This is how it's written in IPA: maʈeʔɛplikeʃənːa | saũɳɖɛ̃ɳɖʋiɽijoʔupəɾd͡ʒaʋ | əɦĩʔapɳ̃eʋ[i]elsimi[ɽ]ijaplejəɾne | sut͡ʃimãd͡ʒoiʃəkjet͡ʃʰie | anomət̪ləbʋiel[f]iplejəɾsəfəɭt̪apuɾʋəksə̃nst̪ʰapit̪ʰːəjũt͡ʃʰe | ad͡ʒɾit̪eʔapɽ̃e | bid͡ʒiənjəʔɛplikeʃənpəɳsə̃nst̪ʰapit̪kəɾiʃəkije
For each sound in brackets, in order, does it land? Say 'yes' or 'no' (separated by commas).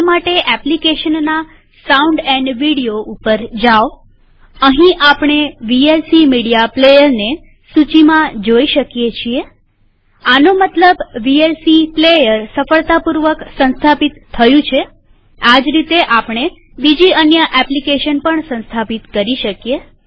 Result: yes, yes, no